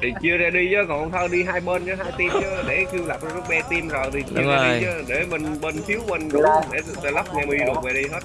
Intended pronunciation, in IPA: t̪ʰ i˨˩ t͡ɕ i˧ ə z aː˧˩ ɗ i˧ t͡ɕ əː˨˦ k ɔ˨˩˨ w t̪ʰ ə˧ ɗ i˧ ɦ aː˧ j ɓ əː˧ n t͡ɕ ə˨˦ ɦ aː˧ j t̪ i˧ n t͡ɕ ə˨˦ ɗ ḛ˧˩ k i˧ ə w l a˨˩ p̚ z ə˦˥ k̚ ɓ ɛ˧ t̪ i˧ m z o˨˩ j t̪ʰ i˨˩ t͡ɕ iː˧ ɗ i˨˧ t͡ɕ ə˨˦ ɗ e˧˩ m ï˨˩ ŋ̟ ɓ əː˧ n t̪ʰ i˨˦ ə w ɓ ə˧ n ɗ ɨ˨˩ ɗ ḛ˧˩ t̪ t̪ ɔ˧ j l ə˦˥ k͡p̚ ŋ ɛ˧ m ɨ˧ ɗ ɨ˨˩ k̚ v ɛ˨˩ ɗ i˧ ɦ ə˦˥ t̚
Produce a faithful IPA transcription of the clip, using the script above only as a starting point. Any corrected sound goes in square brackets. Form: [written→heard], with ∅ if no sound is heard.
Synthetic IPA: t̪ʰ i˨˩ t͡ɕ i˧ ə z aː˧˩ ɗ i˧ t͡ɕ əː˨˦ k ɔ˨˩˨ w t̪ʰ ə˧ ɗ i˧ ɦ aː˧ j ɓ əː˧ n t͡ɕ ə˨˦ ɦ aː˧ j t̪ i˧ [n→m] t͡ɕ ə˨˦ ɗ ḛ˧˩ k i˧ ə w l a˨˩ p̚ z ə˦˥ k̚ ɓ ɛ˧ t̪ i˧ m z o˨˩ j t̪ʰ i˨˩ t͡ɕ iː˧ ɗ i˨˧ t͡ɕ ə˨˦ ɗ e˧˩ m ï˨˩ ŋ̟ ɓ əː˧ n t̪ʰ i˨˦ ə w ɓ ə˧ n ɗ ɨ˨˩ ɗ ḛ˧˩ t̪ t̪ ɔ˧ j l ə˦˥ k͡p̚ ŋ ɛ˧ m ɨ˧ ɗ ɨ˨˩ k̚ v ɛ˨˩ ɗ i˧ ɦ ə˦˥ t̚

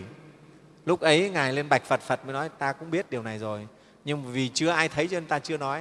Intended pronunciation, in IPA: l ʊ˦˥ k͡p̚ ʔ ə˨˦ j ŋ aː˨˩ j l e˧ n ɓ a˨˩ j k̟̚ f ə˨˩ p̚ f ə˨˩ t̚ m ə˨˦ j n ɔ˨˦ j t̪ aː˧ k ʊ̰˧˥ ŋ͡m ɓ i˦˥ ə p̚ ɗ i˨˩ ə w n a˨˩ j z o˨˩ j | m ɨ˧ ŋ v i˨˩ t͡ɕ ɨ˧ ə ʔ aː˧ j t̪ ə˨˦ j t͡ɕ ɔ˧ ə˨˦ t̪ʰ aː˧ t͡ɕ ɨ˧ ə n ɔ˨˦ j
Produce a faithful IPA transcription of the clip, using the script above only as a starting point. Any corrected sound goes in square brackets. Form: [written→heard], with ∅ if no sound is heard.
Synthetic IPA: l ʊ˦˥ k͡p̚ ʔ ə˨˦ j ŋ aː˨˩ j l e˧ n ɓ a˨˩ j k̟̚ f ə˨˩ [p̚→t̚] f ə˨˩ t̚ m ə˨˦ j n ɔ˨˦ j t̪ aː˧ k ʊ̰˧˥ ŋ͡m ɓ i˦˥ ə [p̚→t̚] ɗ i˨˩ ə w n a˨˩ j z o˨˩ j | [m→ɲ] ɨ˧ ŋ v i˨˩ t͡ɕ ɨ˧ ə ʔ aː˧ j [t̪→t̪ʰ] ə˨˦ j t͡ɕ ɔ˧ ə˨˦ [t̪ʰ→t̪] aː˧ t͡ɕ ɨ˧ ə n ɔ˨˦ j

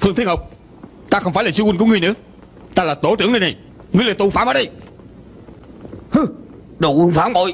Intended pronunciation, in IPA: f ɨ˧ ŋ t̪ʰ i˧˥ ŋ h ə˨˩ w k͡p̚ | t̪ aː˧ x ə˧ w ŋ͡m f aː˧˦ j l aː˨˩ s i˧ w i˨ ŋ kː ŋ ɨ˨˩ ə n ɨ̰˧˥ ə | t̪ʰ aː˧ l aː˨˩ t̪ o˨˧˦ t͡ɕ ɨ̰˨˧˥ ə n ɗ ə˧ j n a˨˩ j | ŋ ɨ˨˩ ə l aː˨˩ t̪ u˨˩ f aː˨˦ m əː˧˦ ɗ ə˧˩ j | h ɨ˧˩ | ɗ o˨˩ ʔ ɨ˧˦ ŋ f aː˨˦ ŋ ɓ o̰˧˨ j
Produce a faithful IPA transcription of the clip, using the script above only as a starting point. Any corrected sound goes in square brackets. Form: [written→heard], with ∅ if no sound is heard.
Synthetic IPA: f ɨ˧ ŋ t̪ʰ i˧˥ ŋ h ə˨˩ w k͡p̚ | t̪ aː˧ x ə˧ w ŋ͡m f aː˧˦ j l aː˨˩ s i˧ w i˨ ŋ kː ŋ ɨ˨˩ ə n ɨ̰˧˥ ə | [t̪ʰ→t̪] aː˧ l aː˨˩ t̪ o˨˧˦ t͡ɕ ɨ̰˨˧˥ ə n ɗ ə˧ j n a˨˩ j | ŋ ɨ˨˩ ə l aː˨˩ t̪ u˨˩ f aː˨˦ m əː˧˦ ɗ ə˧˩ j | h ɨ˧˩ | ɗ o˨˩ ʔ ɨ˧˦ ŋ f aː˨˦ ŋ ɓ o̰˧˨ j

